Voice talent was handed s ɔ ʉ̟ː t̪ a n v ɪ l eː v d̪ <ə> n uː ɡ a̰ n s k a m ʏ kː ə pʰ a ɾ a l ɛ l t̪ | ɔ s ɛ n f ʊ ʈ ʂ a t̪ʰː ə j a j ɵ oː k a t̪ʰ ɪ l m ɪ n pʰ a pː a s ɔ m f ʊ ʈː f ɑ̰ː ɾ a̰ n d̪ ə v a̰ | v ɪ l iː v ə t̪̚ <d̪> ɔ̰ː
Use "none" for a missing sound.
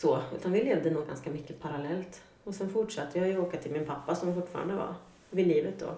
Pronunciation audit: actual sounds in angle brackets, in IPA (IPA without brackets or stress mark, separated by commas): ə, d̪